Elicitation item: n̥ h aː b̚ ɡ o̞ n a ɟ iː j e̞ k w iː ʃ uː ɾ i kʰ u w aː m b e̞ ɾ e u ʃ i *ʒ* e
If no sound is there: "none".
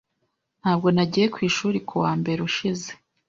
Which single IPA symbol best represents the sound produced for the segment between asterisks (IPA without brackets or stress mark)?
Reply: z